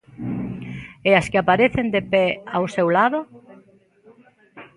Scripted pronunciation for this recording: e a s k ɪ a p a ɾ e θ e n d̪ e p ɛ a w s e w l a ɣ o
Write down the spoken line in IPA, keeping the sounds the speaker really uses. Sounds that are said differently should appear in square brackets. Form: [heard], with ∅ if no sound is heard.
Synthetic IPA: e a s k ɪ a p a ɾ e θ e n d̪ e p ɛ a w s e w l a [ð] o